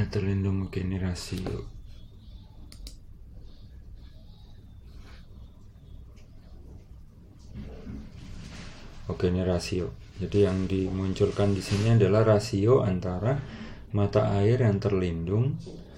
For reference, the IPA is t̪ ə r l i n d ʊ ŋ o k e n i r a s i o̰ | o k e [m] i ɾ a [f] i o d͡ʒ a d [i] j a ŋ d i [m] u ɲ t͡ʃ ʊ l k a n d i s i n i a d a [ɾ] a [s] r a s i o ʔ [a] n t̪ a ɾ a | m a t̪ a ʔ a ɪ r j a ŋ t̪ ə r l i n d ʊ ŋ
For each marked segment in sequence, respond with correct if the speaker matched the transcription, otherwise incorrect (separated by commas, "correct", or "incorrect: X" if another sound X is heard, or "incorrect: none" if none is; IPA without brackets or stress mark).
incorrect: n, incorrect: s, correct, correct, incorrect: l, incorrect: h, correct